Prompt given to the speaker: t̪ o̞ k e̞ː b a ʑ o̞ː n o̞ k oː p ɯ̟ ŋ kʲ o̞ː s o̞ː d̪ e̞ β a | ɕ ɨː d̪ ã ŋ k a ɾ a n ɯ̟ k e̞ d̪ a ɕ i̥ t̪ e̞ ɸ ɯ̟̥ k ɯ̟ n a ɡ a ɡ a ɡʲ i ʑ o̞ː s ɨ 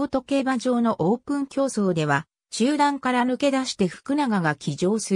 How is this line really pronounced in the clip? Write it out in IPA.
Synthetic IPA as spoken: t̪ o̞ k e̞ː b a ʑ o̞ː n o̞ ʔ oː p ɯ̟̃ ŋ kʲ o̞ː s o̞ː d̪ e̞ β a | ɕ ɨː d̪ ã ŋ k a ɾ a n ɯ̟ k e̞ d̪ a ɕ i̥ t̪ e̞ ɸ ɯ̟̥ k ɯ̟ n a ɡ a ɡ a kʲ i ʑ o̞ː s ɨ

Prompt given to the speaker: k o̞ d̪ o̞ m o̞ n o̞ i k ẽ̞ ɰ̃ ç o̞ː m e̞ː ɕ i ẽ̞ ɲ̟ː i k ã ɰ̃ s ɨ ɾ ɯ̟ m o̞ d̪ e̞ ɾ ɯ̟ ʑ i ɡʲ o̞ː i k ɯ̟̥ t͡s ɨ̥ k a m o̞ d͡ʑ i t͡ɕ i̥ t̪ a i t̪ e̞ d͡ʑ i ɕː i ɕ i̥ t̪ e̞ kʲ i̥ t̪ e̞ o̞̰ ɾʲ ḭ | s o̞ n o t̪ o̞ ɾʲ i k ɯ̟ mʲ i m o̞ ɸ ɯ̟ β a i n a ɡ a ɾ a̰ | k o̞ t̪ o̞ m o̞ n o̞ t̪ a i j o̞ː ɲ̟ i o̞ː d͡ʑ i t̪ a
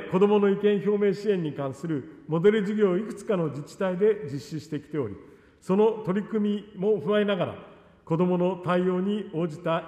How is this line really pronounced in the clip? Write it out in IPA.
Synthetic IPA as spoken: k o̞ d̪ o̞ m o̞ n o̞ i k ẽ̞ ɰ̃ ç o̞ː m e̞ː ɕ i ẽ̞ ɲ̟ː i k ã ɰ̃ s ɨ ɾ ɯ̟ m o̞ d̪ e̞ ɾ ɯ̟ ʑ i ɡʲ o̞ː i k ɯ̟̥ t͡s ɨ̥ k a n o̞ d͡ʑ i t͡ɕ i̥ t̪ a i d̪ e̞ d͡ʑ i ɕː i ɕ i̥ t̪ e̞ kʲ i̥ t̪ e̞ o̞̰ ɾʲ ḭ | s o̞ n o t̪ o̞ ɾʲ i k ɯ̟ mʲ i m o̞ ɸ ɯ̟ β a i n a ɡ a ɾ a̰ | k o̞ d̪ o̞ m o̞ n o̞ t̪ a i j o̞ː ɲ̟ i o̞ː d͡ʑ i t̪ a

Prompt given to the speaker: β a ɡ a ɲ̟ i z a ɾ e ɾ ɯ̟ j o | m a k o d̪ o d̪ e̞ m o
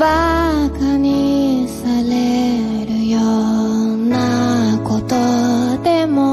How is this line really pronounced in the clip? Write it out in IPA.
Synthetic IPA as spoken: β a k a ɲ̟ i s a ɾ e ɾ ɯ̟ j o | n a k o t̪ o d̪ e̞ m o

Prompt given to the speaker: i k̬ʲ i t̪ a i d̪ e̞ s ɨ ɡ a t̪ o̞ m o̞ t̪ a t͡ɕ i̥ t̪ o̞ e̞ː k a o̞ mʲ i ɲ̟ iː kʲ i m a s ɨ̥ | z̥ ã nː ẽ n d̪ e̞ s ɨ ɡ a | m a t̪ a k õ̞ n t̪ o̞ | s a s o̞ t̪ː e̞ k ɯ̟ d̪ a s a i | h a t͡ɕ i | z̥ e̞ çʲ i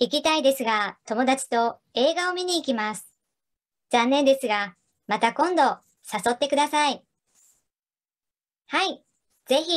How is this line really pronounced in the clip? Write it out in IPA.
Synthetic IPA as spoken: i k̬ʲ i t̪ a i d̪ e̞ s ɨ ɡ a t̪ o̞ m o̞ d̪ a t͡ɕ i̥ t̪ o̞ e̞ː ɡ a o̞ mʲ i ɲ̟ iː kʲ i m a s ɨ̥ | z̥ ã nː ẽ n d̪ e̞ s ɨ ɡ a | m a t̪ a k õ̞ n d̪ o̞ | s a s o̞ t̪ː e̞ k ɯ̟ d̪ a s a i | h a i | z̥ e̞ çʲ i

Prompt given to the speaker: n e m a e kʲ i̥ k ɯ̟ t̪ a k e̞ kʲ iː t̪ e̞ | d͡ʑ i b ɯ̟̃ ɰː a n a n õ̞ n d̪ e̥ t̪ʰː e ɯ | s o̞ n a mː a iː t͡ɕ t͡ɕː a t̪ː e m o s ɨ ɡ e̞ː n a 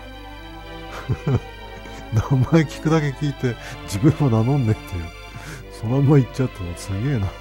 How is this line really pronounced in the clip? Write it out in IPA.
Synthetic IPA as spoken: n a m a e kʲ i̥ k ɯ̟ d̪ a k e̞ kʲ iː t̪ e̞ | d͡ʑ i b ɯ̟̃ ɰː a n a n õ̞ n d̪ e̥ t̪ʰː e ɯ | s o̞ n a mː a i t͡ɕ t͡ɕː a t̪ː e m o s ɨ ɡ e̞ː n a

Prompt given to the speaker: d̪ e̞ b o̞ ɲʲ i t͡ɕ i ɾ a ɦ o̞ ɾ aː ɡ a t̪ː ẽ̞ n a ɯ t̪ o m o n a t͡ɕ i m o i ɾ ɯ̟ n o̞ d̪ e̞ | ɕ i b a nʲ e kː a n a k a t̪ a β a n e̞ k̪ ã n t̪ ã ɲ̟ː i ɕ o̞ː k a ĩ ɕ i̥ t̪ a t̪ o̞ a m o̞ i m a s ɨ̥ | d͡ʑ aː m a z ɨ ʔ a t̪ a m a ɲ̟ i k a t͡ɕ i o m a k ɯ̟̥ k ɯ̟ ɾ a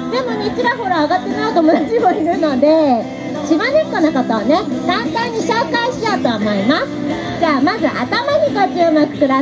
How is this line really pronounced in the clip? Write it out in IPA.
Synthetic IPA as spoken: d̪ e̞ m o̞ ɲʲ i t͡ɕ i ɾ a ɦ o̞ ɾ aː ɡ a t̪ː e̞ n a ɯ t̪ o m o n a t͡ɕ i m o i ɾ ɯ̟ n o̞ d̪ e̞ | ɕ i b a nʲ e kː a n a k a t̪ a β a n e̞ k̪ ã n t̪ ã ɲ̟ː i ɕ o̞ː k a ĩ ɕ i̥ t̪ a t̪ o̞ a m o̞ i m a s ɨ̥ | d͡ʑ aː m a z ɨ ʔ a t̪ a m a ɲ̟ i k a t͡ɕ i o m a k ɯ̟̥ k ɯ̟ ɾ a

